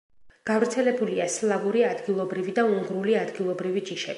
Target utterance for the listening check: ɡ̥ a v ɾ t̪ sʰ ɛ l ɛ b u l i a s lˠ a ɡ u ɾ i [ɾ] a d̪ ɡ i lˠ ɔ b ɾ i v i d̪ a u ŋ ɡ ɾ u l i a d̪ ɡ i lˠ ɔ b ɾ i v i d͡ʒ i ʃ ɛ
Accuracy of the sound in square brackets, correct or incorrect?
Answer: incorrect